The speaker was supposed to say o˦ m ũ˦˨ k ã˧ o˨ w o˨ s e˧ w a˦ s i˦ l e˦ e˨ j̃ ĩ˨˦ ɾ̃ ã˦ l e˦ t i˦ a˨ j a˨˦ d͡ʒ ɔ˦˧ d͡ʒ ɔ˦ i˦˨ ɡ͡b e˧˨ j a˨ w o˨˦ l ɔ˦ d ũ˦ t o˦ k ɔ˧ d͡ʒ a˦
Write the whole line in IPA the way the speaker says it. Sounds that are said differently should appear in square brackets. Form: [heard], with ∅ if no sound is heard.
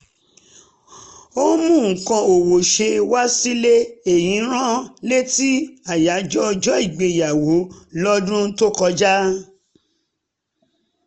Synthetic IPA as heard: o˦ m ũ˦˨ k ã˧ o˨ w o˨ [ʃ] e˧ w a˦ s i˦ l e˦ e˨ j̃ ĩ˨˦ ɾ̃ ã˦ l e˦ t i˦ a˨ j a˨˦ d͡ʒ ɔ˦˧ d͡ʒ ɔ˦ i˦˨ ɡ͡b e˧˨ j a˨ w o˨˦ l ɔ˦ d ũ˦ t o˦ k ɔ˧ d͡ʒ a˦